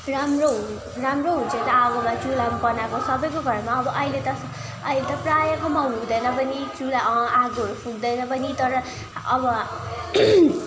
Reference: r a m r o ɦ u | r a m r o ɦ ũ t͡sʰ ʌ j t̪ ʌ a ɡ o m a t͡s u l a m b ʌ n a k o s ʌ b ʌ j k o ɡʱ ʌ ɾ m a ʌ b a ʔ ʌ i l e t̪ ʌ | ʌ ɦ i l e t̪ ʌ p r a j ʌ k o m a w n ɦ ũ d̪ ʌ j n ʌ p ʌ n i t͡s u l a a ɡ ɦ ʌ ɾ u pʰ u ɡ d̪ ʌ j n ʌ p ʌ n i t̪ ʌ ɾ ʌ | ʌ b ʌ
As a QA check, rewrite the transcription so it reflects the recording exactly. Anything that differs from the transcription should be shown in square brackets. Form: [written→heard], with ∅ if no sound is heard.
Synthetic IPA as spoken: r a m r o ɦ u | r a m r o ɦ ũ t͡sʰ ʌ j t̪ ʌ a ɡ o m a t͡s u l a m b ʌ n a k o s ʌ b ʌ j k o ɡʱ ʌ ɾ m a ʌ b [a→ʌ] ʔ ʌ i l e t̪ ʌ | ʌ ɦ i l e t̪ ʌ p r a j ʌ k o m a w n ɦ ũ d̪ ʌ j n ʌ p ʌ n i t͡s u l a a ɡ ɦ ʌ ɾ u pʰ u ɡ d̪ ʌ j n ʌ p ʌ n i t̪ ʌ ɾ ʌ | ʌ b ʌ